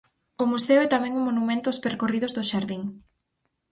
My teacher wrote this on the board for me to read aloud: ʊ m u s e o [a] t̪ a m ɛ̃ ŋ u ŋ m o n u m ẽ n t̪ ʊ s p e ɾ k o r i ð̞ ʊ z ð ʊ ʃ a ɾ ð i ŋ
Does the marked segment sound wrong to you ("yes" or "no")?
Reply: yes